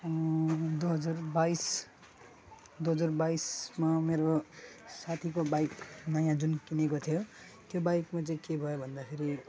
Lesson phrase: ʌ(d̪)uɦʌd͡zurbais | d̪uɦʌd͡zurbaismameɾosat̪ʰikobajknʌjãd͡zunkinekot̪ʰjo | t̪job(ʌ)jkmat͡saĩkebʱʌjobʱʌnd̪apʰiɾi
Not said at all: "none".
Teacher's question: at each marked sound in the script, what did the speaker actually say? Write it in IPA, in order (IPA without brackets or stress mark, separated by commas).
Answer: d̪, a